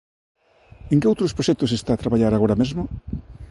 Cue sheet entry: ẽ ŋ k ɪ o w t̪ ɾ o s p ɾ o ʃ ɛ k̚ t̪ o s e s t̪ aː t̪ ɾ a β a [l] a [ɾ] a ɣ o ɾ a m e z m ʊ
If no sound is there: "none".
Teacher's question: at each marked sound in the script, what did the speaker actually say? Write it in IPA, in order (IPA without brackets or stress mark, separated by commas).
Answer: ʎ, ɾ